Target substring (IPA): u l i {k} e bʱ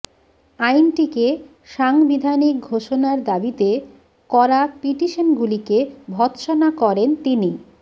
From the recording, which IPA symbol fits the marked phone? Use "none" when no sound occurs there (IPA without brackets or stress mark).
k